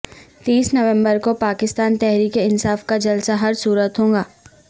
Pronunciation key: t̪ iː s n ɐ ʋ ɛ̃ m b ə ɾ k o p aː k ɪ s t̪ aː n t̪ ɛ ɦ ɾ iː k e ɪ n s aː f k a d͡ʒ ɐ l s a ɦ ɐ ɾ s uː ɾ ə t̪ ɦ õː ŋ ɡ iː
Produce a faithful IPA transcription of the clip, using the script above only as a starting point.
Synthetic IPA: t̪ iː s n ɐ ʋ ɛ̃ m b ə ɾ k o p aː k ɪ s t̪ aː n t̪ ɛ ɦ ɾ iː k e ɪ n s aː f k a d͡ʒ ɐ l s a ɦ ɐ ɾ s uː ɾ ə t̪ ɦ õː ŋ ɡ aː